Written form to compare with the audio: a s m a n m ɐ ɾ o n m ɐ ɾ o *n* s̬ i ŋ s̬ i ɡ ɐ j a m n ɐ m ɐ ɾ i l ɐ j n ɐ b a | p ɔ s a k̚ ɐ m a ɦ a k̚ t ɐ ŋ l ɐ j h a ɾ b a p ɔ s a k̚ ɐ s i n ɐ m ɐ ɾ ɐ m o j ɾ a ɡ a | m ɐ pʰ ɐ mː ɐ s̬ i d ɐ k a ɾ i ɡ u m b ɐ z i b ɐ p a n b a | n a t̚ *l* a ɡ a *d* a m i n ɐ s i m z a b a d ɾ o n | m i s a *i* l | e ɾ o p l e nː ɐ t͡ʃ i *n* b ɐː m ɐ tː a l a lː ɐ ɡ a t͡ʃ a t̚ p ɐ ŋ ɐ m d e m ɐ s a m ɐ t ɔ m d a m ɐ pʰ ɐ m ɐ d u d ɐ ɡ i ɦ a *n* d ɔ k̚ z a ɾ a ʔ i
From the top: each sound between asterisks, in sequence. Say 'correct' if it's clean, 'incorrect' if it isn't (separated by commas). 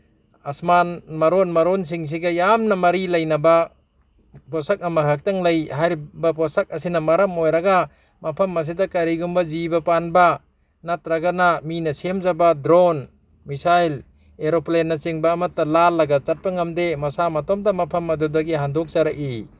correct, incorrect, incorrect, incorrect, incorrect, correct